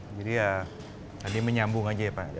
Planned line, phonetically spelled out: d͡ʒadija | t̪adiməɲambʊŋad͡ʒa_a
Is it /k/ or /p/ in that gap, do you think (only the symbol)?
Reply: p